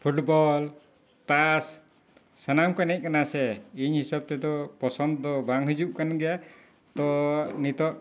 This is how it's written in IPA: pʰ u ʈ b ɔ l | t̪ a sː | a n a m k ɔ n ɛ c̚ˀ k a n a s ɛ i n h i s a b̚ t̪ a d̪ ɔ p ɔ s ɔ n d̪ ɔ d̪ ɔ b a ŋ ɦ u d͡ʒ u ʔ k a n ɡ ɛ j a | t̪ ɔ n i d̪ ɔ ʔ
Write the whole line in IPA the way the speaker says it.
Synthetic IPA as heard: pʰ u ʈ b ɔ l | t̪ a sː | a n a m k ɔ n ɛ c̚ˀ k a n a s ɛ i ɲ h i s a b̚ t̪ ɛ d̪ ɔ p ɔ s ɔ n d̪ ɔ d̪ ɔ b a ŋ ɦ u d͡ʒ u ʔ k a n ɡ ɛ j a | t̪ ɔ n i t̪ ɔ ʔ